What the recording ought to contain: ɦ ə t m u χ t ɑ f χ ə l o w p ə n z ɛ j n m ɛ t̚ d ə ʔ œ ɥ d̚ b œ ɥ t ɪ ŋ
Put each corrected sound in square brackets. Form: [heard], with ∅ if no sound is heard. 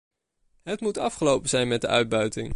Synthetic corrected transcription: ɦ ə t m u [∅] t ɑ f χ ə l o w p ə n z ɛ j n m ɛ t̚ d ə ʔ œ ɥ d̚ b œ ɥ t ɪ ŋ